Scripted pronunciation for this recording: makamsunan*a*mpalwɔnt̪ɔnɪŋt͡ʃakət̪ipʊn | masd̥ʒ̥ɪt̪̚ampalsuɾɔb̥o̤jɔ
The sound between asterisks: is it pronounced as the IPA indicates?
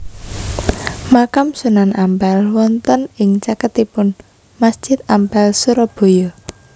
yes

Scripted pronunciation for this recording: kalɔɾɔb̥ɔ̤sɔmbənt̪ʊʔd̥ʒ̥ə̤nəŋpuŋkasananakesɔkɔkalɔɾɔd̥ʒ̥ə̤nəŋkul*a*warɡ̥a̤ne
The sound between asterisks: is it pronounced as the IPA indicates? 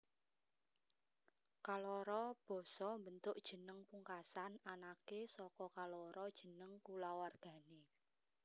yes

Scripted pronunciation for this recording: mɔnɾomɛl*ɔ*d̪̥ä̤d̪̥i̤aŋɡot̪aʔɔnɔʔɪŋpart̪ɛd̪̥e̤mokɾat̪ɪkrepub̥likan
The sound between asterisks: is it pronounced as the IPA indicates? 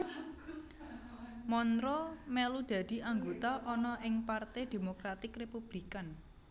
no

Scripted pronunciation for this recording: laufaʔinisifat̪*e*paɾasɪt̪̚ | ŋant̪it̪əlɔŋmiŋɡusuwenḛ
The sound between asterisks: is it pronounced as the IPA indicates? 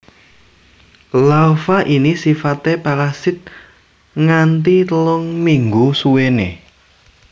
yes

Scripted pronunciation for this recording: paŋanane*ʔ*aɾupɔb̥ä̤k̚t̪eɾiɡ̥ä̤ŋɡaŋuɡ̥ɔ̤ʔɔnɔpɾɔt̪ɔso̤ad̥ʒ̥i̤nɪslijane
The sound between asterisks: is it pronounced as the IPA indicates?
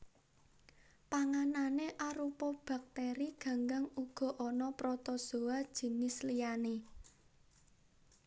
yes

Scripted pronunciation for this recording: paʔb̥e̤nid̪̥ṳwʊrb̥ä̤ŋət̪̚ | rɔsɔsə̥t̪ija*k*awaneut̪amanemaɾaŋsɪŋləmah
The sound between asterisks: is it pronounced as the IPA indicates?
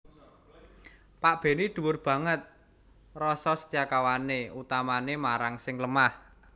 yes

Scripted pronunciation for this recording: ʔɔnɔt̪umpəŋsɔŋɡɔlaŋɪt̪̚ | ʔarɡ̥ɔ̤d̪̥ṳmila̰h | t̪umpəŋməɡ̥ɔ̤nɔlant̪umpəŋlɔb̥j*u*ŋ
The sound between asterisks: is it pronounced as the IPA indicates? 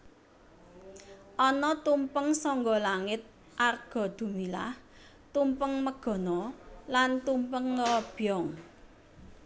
no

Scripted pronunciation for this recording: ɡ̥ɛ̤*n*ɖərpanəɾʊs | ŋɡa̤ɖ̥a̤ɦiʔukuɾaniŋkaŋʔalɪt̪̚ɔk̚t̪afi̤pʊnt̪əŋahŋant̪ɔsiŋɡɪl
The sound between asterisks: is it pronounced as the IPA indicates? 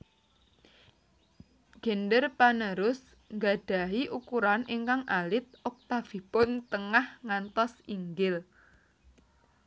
yes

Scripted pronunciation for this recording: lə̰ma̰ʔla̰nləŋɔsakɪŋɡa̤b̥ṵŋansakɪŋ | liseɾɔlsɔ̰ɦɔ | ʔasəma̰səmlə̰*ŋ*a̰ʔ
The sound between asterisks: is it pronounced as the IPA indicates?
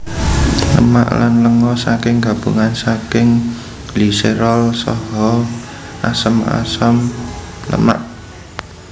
no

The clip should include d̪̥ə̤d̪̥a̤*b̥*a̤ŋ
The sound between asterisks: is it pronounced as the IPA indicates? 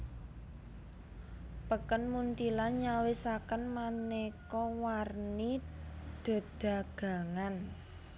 no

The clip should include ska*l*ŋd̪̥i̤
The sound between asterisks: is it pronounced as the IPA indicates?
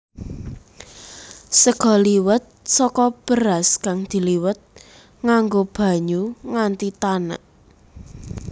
no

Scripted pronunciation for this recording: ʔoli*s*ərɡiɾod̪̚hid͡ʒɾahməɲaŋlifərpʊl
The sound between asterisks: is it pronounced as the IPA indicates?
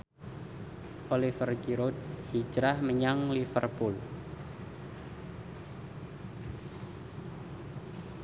no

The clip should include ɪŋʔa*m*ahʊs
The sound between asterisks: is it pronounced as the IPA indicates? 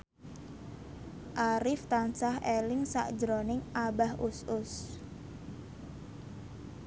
no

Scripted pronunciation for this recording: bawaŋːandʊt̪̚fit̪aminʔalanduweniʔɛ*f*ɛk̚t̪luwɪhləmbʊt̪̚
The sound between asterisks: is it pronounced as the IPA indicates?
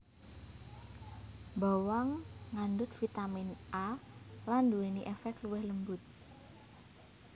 yes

